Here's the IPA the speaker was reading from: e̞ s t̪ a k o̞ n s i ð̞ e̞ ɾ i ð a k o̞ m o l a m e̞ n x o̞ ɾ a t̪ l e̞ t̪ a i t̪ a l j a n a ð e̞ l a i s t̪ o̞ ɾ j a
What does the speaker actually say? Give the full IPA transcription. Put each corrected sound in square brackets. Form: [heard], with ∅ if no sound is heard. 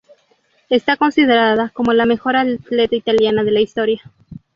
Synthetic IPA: e̞ s t̪ a k o̞ n s i ð̞ e̞ ɾ [a] ð a k o̞ m o l a m e̞ [∅] x o̞ ɾ a t̪ l e̞ t̪ a i t̪ a l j a n a ð e̞ l a i s t̪ o̞ ɾ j a